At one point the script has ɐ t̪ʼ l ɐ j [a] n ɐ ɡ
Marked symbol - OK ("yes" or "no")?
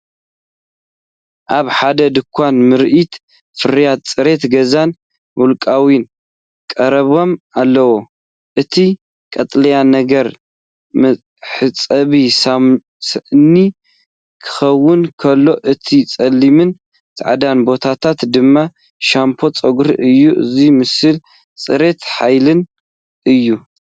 yes